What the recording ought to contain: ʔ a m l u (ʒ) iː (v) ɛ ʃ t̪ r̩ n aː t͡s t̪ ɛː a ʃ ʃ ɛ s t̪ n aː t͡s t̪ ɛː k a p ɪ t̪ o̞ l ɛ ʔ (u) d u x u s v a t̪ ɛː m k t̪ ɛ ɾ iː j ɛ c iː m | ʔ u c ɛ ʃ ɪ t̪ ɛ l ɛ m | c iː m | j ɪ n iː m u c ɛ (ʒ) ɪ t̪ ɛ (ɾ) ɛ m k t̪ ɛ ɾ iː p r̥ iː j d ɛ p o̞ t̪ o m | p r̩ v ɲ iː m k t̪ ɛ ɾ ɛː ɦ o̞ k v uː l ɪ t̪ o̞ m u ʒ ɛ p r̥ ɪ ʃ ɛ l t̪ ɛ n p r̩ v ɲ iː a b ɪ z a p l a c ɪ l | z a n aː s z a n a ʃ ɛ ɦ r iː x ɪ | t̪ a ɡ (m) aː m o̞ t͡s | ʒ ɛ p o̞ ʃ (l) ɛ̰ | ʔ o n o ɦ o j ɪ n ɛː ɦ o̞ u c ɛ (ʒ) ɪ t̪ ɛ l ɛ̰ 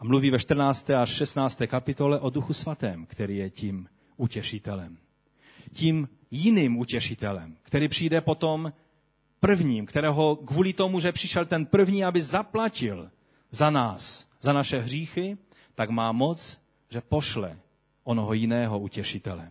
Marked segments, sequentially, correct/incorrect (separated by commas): incorrect, correct, incorrect, incorrect, incorrect, correct, correct, incorrect